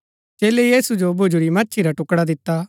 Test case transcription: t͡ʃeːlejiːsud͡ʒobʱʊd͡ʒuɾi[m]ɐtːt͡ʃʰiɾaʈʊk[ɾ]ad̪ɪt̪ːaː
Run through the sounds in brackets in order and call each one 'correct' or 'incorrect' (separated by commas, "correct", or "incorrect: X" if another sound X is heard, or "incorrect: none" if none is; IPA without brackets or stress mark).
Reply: correct, incorrect: ɽ